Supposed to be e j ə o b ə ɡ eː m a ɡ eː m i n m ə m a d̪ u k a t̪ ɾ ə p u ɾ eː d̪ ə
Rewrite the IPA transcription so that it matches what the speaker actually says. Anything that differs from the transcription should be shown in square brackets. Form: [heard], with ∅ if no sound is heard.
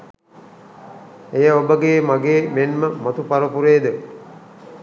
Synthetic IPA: e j ə o b ə ɡ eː m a ɡ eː m [e] n m ə m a [t̪] u [p] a [∅] ɾ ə p u ɾ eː d̪ ə

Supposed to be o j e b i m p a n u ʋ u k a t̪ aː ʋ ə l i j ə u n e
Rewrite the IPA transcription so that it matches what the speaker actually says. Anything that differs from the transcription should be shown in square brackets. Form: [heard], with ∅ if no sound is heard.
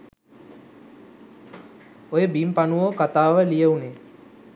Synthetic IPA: o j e b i m p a n u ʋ [o] k a t̪ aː ʋ ə l i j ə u n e

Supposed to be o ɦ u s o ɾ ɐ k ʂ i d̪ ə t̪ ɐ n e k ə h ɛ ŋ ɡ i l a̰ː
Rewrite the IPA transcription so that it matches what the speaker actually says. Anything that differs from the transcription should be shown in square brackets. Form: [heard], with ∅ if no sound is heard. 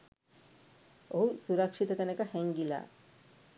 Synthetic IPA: o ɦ u s [u] ɾ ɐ k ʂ i [t̪] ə t̪ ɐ n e k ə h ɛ ŋ ɡ i l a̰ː

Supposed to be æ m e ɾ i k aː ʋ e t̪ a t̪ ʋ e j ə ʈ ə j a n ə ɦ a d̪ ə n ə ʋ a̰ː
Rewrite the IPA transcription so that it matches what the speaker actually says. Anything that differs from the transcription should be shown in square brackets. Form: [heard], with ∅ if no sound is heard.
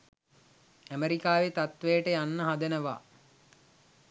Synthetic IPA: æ m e ɾ i k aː ʋ e t̪ a t̪ ʋ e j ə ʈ ə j a [nː] ə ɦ a d̪ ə n ə ʋ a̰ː

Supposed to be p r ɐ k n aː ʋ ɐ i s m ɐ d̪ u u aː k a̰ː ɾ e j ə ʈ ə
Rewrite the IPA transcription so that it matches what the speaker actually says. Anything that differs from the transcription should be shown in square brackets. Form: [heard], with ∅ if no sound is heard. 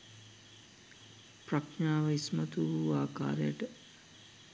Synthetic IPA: p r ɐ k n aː ʋ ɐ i s m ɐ [t̪] u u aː k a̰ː ɾ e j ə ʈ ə

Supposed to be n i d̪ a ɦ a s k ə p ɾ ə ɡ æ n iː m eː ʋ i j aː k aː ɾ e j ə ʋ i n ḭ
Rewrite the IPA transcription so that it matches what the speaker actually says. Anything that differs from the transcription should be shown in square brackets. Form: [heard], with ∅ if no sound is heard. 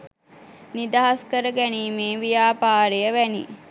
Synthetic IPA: n i d̪ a ɦ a s k ə [∅] ɾ ə ɡ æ n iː m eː ʋ i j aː [p] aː ɾ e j ə ʋ [æ] n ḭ

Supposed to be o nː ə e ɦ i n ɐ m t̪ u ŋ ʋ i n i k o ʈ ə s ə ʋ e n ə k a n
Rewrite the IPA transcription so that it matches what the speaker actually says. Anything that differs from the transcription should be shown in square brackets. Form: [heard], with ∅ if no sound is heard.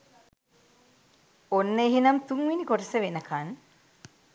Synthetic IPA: o nː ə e ɦ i n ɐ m t̪ u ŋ ʋ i n i k o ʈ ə s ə ʋ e n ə k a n

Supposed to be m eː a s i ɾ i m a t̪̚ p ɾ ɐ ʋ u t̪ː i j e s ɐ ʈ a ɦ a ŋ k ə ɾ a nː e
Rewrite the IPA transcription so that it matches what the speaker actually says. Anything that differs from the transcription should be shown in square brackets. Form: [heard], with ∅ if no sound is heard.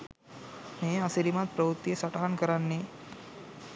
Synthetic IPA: m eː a s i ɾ i m a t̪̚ p ɾ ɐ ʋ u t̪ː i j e s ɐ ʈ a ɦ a [n] k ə ɾ a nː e

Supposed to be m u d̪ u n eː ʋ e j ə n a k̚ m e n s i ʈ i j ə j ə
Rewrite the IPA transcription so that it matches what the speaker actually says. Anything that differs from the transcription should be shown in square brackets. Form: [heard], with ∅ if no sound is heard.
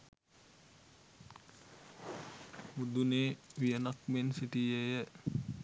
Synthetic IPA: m u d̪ u n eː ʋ [i] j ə n a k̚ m e n s i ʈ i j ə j ə

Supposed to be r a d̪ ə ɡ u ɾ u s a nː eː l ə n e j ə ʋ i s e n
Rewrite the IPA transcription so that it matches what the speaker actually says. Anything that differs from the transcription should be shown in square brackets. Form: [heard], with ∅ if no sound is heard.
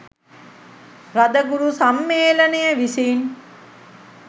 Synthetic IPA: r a d̪ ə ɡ u ɾ u s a [mː] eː l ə n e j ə ʋ i s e n

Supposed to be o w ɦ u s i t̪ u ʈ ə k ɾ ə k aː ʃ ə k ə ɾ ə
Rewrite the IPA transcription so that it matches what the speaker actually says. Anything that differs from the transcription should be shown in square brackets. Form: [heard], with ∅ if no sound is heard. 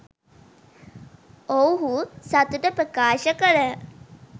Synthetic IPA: o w ɦ u s [a] t̪ u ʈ ə [p] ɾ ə k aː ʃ ə k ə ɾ ə

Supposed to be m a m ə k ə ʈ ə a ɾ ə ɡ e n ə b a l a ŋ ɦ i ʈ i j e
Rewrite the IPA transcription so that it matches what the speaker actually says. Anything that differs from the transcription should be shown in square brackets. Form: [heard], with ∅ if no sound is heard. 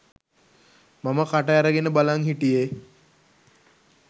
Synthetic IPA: m a m ə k [a] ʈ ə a ɾ ə ɡ e n ə b a l a ŋ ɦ i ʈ i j e

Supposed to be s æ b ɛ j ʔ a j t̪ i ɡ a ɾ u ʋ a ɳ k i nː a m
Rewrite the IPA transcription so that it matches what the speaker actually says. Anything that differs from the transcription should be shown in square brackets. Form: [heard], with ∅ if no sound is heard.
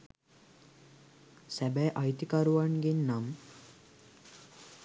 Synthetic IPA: s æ b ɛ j ʔ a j t̪ i [k] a ɾ u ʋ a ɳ [ɡ] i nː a m

